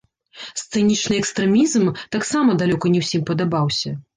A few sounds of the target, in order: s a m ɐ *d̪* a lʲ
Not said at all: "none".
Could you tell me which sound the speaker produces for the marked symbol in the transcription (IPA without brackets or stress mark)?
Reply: d̪